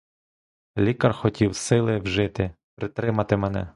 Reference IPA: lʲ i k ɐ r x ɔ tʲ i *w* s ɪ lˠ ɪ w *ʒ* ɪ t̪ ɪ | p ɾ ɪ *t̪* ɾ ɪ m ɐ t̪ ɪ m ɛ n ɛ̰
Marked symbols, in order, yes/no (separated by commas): yes, yes, yes